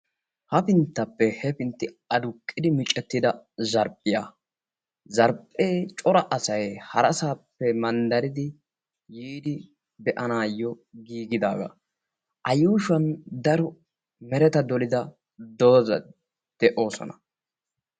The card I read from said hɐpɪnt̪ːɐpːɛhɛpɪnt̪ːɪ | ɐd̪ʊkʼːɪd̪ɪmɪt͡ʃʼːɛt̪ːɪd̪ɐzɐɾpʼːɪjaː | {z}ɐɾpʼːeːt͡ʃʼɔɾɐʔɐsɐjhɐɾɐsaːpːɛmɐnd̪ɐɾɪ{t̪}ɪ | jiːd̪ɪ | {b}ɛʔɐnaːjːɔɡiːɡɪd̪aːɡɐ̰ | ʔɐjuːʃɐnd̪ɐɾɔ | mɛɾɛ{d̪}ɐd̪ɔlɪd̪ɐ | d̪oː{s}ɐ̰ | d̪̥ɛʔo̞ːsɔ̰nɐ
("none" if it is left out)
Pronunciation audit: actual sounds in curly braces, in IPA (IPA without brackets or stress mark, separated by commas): z, d̪, b, t̪, z